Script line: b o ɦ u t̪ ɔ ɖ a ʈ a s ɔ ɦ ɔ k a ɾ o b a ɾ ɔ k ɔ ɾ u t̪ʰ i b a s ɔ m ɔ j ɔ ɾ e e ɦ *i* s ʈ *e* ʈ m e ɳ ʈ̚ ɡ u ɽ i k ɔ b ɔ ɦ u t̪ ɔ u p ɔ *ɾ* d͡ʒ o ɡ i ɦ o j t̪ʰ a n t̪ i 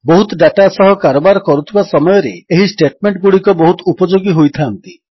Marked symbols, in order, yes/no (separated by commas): yes, yes, no